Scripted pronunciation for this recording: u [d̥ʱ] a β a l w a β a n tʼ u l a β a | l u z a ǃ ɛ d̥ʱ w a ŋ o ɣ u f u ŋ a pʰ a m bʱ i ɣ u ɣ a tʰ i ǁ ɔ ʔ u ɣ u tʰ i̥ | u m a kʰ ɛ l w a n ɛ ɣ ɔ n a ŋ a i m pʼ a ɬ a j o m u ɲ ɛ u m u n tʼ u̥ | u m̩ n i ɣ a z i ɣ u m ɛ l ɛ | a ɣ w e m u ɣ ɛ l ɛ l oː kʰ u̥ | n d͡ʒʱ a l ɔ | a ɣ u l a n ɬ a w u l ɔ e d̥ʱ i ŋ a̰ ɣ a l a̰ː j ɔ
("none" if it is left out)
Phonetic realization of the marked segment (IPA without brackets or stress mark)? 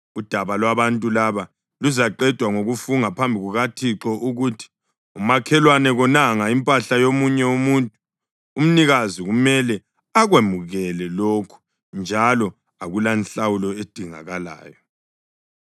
d̥ʱ